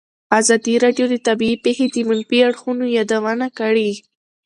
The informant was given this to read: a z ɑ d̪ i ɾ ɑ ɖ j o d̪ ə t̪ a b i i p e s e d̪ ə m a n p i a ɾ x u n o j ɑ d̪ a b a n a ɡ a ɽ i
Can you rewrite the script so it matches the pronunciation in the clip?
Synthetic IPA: a z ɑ d̪ i ɾ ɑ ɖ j o d̪ ə t̪ a b i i p e x e d̪ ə m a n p i a ɽ x u n o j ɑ d̪ a w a n a k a ɽ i